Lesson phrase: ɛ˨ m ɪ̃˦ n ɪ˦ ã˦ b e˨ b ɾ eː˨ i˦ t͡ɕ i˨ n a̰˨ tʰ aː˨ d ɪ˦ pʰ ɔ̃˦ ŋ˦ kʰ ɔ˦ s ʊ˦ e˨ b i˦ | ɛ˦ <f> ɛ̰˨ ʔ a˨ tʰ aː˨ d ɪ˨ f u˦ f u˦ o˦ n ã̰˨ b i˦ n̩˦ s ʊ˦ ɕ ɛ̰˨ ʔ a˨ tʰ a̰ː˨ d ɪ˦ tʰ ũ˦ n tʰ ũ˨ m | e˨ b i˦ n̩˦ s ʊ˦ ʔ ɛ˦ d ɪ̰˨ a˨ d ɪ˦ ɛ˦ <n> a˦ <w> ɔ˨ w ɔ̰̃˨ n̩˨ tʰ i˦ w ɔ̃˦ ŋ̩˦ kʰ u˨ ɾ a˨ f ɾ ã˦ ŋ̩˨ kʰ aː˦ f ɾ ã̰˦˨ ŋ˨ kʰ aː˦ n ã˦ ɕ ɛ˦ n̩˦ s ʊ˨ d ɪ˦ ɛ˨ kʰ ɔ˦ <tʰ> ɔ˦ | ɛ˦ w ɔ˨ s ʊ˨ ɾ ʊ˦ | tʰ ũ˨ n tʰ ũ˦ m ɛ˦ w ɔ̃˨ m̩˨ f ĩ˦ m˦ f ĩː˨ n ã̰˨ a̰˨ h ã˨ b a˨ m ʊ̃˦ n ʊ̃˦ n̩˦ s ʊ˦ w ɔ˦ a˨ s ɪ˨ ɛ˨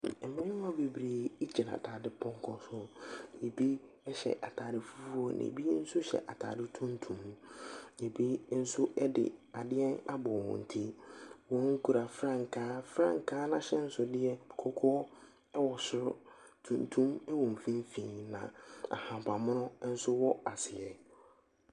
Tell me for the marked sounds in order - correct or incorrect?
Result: incorrect: ɕ, correct, incorrect: b, incorrect: kʰ

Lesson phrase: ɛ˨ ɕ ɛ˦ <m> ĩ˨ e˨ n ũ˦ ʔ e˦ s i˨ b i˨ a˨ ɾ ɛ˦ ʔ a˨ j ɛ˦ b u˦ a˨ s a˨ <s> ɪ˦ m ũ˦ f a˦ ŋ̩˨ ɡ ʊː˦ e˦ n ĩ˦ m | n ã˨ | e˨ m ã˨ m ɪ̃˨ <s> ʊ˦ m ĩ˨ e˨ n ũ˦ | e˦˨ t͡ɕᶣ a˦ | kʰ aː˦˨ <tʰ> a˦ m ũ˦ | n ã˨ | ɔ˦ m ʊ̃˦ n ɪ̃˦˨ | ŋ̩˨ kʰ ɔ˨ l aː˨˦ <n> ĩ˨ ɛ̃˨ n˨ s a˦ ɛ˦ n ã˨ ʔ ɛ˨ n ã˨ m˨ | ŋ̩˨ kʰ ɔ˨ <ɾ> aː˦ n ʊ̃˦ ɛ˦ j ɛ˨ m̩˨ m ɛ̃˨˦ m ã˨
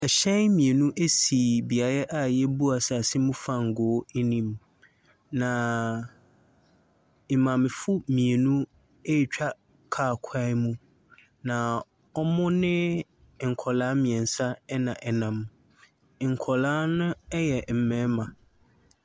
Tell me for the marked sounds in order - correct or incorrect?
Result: correct, correct, incorrect: f, incorrect: kʰ, incorrect: m, incorrect: l

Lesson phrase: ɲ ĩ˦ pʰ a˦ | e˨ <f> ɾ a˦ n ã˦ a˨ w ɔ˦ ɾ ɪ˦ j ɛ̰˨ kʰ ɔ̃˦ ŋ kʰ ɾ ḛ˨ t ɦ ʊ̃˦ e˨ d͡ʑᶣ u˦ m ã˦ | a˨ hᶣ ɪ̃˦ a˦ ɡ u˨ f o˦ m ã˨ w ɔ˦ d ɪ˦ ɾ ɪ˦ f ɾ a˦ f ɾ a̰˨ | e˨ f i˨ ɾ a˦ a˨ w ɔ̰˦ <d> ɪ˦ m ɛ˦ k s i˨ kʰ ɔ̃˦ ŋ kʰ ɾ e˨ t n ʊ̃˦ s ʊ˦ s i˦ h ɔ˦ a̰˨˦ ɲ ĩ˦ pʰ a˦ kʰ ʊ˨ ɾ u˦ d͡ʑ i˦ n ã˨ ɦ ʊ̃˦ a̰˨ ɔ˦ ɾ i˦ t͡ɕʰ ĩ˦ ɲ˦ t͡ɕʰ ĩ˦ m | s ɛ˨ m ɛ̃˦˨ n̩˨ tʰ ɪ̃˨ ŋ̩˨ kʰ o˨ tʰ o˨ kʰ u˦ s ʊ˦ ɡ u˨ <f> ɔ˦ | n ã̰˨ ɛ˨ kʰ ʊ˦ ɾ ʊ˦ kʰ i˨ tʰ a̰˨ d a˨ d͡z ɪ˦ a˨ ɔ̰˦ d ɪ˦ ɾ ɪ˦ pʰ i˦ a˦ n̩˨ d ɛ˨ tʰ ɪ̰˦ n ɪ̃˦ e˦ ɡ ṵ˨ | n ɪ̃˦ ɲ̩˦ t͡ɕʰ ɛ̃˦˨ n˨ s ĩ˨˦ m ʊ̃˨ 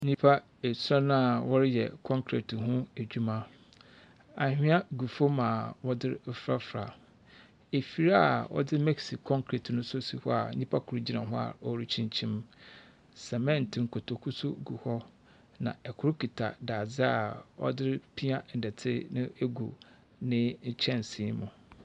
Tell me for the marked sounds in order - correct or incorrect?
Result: incorrect: s, correct, incorrect: h

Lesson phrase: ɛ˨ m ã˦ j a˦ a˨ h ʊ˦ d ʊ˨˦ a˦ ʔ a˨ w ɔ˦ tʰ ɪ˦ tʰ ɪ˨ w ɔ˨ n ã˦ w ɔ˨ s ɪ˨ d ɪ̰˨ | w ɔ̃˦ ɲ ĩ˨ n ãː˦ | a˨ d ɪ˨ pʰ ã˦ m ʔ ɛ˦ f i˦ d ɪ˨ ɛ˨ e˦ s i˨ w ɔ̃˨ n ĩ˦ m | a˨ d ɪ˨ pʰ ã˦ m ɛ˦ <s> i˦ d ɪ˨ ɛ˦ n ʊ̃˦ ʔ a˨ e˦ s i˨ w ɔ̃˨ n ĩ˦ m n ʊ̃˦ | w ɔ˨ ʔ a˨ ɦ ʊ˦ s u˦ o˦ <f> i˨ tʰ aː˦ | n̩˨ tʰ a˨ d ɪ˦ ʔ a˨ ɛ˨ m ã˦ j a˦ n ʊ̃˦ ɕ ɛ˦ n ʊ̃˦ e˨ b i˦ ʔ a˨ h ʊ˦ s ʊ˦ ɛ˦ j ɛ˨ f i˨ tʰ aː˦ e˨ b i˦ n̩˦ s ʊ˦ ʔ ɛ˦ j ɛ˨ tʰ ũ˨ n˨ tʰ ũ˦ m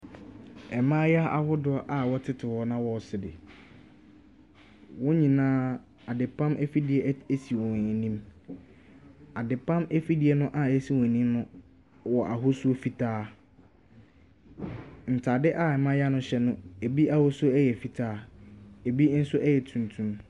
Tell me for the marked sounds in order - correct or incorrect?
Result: incorrect: f, correct

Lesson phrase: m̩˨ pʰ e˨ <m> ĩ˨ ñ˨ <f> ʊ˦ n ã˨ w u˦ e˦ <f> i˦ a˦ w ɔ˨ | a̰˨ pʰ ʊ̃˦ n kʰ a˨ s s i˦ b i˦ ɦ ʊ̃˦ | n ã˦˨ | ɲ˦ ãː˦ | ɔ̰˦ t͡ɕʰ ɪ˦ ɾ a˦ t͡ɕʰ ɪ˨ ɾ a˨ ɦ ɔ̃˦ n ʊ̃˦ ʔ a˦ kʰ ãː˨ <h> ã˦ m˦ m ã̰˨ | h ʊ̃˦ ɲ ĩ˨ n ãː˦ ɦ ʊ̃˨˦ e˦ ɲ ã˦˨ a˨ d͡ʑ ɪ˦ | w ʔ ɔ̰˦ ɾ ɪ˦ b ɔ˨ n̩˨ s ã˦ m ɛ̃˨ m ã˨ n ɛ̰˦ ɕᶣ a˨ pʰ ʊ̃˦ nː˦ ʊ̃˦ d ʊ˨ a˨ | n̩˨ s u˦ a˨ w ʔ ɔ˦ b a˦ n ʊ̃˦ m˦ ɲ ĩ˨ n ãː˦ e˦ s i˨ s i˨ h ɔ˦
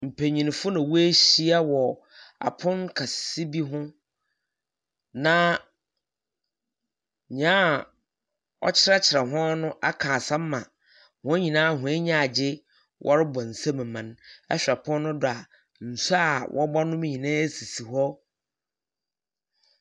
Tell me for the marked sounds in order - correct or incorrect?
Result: incorrect: ɲ, correct, incorrect: ɕ, incorrect: s

